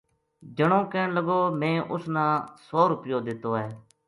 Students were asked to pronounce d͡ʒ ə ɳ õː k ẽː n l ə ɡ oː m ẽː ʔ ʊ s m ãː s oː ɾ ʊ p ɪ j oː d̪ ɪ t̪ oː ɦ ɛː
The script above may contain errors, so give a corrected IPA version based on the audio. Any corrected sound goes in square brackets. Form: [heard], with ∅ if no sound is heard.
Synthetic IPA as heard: d͡ʒ ə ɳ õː k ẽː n l ə ɡ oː m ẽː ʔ ʊ s [n] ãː s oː ɾ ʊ p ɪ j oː d̪ ɪ t̪ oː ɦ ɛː